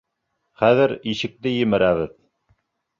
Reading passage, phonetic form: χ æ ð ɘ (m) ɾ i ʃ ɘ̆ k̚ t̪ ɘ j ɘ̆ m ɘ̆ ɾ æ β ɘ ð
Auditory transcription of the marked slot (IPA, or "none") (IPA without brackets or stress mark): none